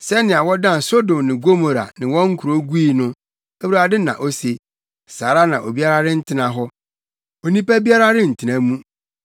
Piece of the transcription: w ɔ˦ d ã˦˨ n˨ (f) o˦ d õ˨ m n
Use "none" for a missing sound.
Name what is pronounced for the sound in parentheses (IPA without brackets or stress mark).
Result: s